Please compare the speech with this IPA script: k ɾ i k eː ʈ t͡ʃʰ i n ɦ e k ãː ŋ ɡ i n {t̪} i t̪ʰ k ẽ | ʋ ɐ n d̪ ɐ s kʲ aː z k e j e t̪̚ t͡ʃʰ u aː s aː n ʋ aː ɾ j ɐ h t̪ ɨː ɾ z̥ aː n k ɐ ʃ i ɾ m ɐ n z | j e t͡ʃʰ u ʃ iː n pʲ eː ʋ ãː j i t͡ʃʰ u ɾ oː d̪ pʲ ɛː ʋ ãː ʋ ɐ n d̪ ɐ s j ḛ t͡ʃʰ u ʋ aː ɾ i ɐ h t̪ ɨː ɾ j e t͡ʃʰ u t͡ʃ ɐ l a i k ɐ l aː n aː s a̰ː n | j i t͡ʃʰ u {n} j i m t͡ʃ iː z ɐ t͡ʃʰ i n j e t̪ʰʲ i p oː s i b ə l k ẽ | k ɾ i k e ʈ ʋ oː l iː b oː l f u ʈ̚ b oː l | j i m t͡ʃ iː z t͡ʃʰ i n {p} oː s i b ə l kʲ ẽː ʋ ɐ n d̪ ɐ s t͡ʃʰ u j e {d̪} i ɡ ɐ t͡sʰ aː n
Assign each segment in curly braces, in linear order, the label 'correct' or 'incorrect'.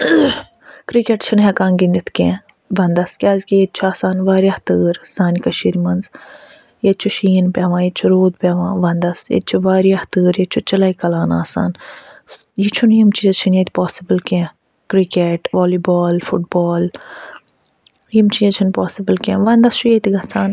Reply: incorrect: d̪, correct, correct, incorrect: t̪

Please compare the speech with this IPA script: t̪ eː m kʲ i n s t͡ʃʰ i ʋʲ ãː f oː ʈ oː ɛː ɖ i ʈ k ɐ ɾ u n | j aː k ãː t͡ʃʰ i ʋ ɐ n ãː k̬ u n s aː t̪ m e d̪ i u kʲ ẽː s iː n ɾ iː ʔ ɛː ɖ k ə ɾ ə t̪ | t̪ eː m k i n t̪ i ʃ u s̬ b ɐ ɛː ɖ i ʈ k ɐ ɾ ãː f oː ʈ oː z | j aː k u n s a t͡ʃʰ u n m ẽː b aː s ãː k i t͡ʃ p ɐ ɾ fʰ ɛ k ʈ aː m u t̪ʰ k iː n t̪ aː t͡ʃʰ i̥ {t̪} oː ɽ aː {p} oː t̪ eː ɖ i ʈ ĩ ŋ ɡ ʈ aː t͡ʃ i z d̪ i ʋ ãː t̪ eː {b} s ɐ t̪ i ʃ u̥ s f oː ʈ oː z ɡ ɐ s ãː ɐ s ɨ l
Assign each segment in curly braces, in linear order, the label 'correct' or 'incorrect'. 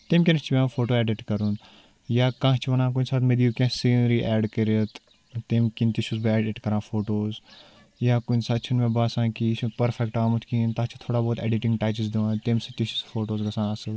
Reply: incorrect: t̪ʰ, incorrect: b, incorrect: m

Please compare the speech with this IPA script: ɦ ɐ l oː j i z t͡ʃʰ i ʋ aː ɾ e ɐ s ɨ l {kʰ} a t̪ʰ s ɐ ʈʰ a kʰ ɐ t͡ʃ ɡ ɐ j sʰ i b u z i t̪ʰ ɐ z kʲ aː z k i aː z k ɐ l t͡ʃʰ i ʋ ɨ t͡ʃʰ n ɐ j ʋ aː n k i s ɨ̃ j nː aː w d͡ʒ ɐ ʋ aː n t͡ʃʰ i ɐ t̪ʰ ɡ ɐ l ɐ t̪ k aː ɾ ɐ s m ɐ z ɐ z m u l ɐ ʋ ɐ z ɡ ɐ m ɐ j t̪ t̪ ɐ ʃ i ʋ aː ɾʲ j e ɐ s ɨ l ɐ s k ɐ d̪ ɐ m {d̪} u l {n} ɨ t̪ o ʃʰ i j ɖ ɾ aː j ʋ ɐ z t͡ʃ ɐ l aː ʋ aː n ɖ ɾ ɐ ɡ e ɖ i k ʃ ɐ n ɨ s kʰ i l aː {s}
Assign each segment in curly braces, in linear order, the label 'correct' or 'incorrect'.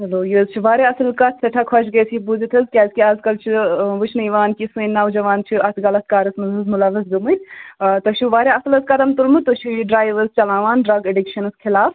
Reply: incorrect: k, incorrect: t̪, incorrect: m, incorrect: f

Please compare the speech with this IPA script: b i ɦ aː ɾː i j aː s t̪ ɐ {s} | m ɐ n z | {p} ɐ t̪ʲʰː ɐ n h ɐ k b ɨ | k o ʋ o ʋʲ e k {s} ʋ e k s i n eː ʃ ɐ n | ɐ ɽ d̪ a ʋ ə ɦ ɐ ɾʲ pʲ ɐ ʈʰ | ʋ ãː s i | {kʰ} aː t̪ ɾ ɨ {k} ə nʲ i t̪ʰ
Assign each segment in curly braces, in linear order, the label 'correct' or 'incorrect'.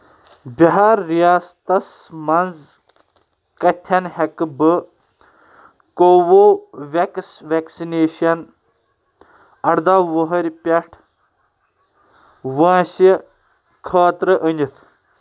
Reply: correct, incorrect: k, correct, correct, incorrect: ʔ

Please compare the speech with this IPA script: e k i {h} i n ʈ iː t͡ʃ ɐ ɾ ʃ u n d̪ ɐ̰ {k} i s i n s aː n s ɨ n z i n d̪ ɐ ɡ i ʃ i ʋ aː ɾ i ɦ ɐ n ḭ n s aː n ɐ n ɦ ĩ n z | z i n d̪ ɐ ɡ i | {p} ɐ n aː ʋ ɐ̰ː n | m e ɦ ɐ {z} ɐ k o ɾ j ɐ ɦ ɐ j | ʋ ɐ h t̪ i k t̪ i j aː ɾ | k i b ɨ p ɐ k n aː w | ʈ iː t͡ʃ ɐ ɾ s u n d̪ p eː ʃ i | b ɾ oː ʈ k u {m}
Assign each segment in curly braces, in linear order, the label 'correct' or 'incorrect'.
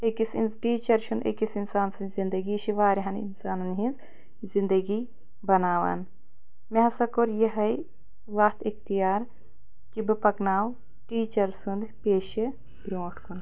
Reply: incorrect: s, correct, incorrect: b, incorrect: s, incorrect: n

